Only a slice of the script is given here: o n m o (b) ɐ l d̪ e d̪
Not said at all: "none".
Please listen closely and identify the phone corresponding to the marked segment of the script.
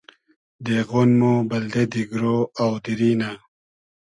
b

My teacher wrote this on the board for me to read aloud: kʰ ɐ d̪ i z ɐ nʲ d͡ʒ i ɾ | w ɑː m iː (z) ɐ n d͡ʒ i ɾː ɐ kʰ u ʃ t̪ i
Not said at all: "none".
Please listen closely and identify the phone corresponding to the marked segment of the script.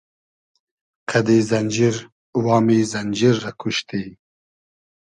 z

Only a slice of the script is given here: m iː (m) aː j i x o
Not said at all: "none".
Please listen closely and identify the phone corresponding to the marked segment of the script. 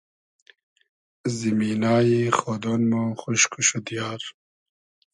n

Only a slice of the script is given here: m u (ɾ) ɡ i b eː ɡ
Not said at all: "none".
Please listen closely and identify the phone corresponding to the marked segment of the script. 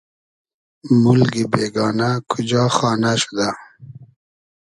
l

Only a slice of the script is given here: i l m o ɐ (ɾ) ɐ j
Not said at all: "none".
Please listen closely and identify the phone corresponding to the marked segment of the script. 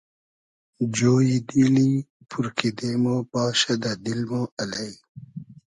l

